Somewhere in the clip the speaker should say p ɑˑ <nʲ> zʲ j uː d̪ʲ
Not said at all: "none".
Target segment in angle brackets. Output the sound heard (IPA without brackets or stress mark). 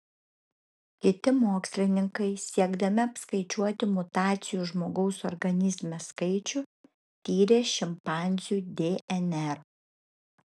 nʲ